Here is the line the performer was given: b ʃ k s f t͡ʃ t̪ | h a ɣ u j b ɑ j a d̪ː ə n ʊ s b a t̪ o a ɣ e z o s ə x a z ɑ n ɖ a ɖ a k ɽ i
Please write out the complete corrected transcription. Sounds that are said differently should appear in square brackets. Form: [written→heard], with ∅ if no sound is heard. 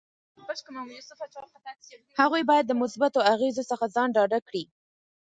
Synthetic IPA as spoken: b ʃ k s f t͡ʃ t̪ | h a ɣ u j b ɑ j a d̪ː ə [n→m] ʊ s b a t̪ o a ɣ e z o s ə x a z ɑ n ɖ [a→ɑ] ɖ a k ɽ i